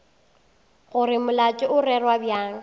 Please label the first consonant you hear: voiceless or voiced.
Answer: voiced